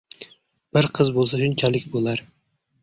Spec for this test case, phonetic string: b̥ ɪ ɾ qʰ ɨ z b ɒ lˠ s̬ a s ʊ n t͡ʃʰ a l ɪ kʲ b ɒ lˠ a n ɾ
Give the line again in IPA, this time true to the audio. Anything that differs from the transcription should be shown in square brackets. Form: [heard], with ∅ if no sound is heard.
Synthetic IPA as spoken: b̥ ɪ ɾ qʰ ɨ z b [o] lˠ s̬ a [ʃ] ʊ n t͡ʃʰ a l ɪ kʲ b [o] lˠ a [∅] ɾ